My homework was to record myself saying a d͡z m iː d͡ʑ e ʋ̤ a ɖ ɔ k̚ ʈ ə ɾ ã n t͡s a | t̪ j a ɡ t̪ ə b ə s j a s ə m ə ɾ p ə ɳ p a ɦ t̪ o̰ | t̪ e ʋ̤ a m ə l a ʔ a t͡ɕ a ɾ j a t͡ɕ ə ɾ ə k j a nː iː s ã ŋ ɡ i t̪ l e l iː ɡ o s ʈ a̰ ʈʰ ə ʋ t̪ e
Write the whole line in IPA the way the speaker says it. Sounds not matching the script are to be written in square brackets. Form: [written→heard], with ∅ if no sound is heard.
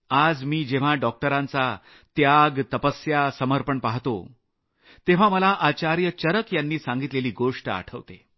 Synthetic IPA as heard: a d͡z m iː d͡ʑ e ʋ̤ a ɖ ɔ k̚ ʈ ə ɾ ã n t͡s a | t̪ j a ɡ t̪ ə [b→p] ə s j a s ə m ə ɾ p ə ɳ p a ɦ t̪ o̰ | t̪ e ʋ̤ a m ə l a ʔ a t͡ɕ a ɾ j [a→ə] t͡ɕ ə ɾ ə k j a nː iː s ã ŋ ɡ i t̪ l e l iː ɡ o [s→ʂ] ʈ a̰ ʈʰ ə ʋ t̪ e